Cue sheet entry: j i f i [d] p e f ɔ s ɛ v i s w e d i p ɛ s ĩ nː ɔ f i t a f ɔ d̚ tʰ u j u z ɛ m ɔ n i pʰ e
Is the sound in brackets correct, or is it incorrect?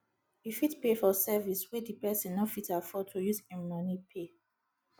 incorrect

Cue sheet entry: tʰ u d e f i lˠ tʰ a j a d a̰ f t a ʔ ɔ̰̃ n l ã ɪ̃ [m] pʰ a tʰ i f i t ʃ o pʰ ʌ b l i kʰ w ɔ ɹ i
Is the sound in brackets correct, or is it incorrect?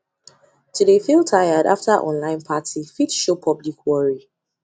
incorrect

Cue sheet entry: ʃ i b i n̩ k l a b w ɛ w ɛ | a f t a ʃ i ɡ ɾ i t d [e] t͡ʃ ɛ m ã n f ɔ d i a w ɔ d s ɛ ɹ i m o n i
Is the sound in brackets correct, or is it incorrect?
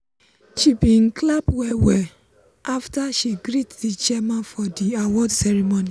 incorrect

